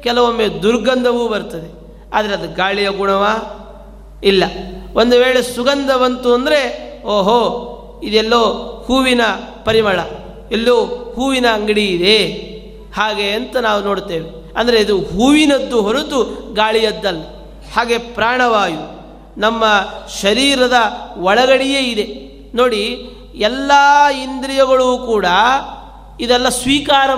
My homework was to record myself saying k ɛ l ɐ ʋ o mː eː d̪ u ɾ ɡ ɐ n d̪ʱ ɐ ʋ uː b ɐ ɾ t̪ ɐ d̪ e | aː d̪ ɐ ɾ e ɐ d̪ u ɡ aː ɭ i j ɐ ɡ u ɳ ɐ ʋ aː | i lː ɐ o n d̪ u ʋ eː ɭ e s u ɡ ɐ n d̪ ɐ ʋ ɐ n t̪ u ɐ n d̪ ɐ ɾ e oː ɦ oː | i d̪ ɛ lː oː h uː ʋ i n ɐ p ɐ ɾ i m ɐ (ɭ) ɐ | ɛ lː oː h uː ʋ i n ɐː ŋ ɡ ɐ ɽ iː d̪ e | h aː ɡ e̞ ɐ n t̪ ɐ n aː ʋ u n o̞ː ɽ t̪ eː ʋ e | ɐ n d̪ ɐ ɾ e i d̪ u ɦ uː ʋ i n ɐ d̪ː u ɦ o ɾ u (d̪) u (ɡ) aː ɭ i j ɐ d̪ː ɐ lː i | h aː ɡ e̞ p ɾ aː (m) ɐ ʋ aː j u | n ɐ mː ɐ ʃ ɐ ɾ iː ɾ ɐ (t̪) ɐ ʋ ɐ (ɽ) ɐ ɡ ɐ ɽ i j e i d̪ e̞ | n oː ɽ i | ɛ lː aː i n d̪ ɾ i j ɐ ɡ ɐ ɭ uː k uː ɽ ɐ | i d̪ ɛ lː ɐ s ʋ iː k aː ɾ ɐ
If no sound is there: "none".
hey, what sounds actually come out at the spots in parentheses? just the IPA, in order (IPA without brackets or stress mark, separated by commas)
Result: ɭ, t̪, ɡ, ɳ, d̪, ɭ